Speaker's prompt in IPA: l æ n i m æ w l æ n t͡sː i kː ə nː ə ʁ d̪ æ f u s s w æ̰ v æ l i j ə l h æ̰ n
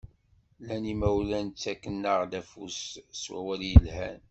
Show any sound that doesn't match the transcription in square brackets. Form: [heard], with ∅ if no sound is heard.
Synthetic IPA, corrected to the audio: l æ n i m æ w l æ n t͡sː [æ] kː ə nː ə ʁ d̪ æ f u s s w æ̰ [w] æ l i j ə l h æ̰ n